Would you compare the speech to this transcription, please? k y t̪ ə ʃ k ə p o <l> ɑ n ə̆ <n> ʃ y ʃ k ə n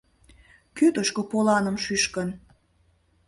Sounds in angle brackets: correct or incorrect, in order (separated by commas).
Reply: correct, incorrect